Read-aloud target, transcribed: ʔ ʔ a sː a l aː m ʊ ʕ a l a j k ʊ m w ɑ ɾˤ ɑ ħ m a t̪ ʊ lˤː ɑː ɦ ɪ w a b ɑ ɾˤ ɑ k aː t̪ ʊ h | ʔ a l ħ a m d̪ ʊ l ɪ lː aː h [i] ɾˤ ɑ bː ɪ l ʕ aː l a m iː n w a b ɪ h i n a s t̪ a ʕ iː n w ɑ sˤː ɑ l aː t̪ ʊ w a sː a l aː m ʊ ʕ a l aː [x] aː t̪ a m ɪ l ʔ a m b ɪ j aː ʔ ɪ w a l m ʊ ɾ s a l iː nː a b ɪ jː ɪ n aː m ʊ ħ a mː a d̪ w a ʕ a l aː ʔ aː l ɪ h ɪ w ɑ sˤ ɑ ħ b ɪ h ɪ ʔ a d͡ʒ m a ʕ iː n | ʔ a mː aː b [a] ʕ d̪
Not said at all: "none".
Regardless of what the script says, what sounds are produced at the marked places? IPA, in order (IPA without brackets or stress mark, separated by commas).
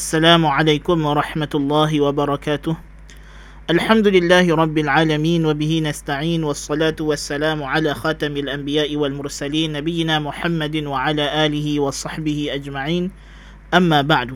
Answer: ɪ, x, a